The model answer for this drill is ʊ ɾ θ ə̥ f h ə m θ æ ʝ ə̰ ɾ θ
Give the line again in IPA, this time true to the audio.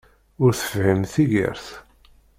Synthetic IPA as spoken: ʊ ɾ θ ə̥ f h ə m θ i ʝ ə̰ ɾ θ